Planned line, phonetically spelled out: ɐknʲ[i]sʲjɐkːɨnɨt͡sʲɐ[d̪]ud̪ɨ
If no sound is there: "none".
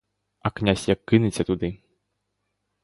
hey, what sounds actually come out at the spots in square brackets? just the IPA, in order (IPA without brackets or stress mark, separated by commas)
a, t̪